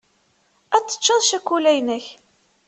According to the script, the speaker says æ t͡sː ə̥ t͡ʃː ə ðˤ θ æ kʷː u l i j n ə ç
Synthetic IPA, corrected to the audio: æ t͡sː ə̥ t͡ʃː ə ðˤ ʃ æ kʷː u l æ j n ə ç